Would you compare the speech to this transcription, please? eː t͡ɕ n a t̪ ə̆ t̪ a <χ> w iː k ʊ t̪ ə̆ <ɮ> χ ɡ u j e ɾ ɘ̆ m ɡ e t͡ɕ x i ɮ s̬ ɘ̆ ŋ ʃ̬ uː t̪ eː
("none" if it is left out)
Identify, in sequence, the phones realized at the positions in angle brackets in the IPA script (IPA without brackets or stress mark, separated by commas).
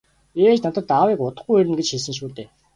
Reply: none, none